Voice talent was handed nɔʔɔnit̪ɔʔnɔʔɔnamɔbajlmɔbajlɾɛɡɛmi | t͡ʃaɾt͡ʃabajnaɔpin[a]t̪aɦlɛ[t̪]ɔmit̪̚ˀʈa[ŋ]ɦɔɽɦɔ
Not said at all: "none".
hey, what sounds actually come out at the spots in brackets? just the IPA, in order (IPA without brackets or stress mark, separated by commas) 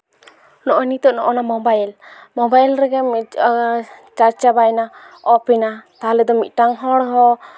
a, d̪, ŋ